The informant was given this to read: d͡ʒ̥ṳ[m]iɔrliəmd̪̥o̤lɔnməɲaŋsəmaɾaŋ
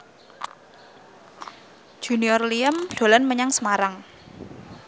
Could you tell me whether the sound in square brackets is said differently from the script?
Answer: yes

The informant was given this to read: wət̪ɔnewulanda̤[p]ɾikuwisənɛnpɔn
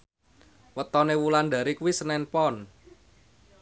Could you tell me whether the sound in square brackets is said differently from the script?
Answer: yes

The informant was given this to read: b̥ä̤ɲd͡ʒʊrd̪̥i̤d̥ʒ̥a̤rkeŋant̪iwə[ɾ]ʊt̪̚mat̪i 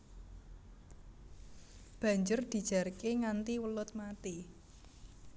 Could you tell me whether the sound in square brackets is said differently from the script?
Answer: yes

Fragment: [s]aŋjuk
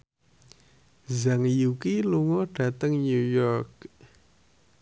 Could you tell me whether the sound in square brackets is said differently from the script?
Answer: yes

